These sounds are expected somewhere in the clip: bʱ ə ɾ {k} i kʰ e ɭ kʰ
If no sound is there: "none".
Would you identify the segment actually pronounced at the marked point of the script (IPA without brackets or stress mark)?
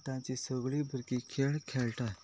k